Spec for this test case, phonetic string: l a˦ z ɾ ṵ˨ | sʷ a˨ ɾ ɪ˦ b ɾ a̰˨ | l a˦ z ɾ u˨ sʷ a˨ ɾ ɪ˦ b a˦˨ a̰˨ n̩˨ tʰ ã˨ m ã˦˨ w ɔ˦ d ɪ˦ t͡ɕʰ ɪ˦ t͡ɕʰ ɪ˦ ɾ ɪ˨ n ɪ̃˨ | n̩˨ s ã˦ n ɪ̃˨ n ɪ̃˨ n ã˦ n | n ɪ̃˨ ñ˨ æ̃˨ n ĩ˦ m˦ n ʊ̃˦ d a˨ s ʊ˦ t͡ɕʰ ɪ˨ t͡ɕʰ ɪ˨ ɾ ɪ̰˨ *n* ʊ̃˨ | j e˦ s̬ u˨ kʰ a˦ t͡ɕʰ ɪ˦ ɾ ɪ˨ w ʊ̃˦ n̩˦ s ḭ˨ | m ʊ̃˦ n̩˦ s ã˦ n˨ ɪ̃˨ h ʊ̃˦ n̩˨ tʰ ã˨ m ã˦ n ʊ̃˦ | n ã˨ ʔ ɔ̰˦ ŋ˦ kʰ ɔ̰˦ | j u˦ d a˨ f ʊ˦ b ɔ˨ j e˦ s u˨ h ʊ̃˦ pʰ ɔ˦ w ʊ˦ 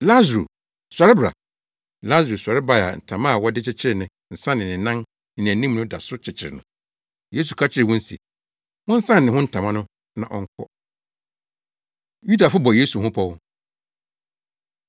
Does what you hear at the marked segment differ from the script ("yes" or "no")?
no